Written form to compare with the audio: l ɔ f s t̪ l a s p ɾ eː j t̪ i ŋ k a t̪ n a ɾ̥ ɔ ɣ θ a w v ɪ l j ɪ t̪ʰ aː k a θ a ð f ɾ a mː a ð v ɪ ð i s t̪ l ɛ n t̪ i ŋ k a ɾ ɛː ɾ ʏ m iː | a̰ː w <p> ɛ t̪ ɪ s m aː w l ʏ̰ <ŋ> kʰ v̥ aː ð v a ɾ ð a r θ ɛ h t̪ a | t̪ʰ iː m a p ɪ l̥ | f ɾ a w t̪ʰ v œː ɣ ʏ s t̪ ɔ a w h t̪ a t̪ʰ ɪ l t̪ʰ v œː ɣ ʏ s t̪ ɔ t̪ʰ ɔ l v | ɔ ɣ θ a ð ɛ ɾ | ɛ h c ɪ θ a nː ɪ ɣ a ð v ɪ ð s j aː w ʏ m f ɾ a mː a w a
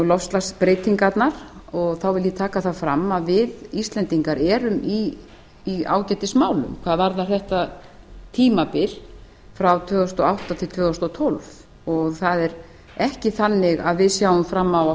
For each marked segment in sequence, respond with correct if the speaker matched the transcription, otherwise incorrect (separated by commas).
incorrect, incorrect